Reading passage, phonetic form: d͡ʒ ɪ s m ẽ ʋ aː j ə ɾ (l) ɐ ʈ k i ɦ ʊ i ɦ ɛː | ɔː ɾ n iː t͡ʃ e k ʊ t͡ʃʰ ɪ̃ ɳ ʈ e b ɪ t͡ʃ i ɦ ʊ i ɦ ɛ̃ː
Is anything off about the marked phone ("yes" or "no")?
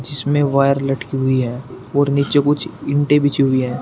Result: no